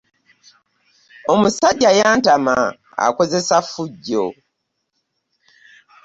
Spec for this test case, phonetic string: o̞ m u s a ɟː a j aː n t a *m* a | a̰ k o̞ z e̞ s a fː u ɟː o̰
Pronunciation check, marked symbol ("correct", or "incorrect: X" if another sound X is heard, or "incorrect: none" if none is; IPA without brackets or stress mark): correct